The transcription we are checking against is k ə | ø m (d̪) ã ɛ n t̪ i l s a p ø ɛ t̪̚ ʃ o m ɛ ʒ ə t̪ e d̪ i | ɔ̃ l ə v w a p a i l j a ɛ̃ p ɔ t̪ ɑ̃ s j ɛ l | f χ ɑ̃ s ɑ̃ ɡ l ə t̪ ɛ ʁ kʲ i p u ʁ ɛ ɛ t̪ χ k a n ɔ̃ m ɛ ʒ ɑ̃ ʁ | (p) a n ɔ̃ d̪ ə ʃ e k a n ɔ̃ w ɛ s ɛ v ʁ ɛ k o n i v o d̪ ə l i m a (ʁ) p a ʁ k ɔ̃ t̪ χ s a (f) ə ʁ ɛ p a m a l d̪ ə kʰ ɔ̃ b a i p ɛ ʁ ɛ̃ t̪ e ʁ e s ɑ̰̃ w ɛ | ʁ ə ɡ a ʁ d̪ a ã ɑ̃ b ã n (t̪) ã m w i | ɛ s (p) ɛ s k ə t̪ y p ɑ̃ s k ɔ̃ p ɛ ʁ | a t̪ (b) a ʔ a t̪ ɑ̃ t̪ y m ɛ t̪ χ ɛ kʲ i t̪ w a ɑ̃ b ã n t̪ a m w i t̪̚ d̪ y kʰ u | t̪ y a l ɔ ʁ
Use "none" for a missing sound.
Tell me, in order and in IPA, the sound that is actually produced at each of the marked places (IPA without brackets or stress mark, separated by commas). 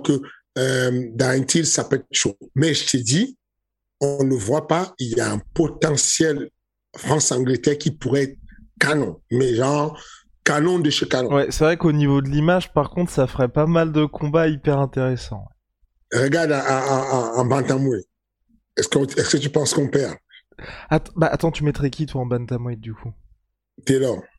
d̪, k, ʒ, f, t̪, k, b